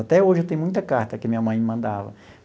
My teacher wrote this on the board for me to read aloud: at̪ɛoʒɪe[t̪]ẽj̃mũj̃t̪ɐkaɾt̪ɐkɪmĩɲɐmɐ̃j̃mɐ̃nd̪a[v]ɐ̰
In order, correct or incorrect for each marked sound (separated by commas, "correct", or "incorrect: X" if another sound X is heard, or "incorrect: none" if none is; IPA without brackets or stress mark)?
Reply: correct, correct